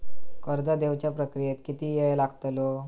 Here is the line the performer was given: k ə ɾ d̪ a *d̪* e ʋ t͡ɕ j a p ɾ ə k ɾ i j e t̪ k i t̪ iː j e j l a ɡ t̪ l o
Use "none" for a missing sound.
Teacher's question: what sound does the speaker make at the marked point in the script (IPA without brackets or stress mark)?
d̪